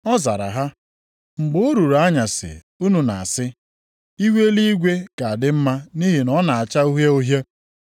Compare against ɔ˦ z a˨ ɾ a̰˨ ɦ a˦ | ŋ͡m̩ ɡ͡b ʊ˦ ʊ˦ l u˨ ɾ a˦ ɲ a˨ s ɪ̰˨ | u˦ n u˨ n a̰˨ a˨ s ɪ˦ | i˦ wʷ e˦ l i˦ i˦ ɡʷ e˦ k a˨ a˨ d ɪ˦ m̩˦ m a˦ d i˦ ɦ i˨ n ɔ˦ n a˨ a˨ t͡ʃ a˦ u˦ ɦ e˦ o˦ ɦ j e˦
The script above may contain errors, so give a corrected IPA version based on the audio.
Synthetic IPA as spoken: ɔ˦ z a˨ ɾ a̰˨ ɦ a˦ | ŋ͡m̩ ɡ͡b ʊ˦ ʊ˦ ɾ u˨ ɾ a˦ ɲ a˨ s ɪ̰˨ | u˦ n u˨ n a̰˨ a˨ s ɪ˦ | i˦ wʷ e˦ l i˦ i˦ ɡʷ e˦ k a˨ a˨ d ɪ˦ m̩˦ m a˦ n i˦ ɦ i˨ n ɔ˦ n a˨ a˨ t͡ʃ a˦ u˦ ɦ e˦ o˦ ɦ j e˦